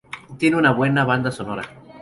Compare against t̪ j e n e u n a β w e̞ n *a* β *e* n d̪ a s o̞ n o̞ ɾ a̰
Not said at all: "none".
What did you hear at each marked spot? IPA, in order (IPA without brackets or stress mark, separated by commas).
a, a